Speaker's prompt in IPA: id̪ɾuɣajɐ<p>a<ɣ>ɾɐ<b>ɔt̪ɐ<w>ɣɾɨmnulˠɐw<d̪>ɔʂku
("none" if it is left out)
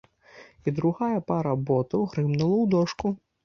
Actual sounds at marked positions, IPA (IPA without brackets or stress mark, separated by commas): p, none, b, w, d̪